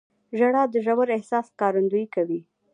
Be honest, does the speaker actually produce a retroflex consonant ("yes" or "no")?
yes